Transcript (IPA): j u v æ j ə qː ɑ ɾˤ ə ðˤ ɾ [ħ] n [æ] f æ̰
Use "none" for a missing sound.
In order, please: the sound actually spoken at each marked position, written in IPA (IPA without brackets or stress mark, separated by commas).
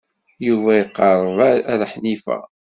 ħ, i